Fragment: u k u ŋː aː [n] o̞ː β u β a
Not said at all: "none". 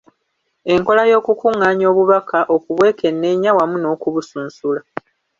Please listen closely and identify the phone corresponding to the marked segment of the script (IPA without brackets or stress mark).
ɲ